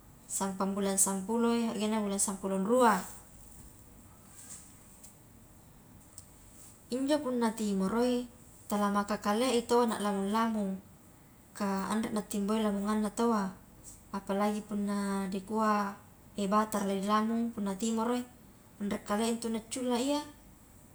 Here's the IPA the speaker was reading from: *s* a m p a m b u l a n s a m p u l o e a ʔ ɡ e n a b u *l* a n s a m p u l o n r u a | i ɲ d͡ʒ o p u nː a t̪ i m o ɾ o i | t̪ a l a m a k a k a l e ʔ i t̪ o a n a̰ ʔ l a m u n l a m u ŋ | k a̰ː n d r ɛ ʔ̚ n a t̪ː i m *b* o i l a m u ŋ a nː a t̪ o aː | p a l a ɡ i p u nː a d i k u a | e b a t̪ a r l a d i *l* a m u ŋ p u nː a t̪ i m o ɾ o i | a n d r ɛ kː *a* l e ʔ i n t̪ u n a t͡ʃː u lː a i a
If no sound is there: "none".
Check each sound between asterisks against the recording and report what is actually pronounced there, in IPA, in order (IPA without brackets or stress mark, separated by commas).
s, l, b, l, a